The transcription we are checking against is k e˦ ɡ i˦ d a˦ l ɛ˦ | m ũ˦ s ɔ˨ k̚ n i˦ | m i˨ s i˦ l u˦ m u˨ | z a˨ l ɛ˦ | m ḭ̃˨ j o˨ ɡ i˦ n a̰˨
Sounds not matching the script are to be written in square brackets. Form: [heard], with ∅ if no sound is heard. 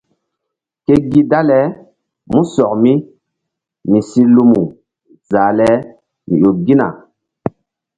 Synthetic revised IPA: k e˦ ɡ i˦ d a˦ l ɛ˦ | m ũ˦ s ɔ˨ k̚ [m] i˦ | m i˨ s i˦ l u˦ m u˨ | z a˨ l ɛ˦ | m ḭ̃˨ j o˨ ɡ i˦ n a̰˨